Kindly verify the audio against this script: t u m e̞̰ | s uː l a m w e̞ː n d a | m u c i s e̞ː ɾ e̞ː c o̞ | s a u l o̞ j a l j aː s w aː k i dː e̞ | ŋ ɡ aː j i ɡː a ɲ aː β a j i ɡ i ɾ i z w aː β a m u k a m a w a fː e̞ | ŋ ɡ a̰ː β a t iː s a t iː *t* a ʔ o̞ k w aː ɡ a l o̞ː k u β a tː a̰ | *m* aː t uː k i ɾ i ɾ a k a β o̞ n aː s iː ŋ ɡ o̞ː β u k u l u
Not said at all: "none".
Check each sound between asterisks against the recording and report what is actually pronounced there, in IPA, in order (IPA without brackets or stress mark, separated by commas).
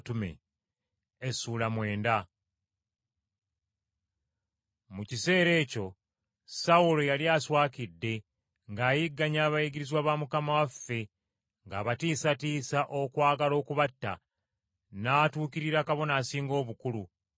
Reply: s, n